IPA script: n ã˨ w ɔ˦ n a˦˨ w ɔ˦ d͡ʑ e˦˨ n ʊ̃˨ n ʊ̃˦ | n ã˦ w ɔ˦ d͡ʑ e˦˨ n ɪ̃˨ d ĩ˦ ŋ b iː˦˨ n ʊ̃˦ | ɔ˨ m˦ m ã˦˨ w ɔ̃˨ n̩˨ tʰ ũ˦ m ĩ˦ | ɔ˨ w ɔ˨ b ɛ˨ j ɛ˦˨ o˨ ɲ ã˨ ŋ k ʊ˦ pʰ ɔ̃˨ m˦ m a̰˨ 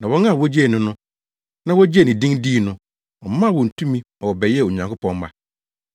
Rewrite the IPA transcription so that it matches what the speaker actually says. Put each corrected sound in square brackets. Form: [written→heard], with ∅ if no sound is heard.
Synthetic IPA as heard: n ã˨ w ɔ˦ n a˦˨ w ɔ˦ d͡ʑ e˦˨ n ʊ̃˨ n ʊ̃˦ | n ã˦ w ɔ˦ d͡ʑ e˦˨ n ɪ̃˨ d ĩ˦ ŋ [b→d] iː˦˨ n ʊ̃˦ | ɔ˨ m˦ m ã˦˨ w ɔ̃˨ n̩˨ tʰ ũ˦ m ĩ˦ | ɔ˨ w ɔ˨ b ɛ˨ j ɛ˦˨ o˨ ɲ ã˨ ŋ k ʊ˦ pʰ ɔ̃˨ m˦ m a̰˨